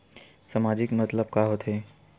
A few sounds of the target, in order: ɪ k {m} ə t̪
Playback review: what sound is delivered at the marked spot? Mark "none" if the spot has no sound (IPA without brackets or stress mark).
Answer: m